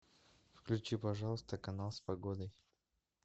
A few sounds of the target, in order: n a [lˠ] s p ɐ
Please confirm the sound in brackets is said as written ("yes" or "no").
yes